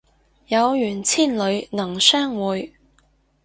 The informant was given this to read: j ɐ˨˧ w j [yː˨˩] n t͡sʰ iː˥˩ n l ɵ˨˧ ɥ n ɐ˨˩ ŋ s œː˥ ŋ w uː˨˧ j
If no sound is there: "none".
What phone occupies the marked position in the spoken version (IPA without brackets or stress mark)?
yː˨˩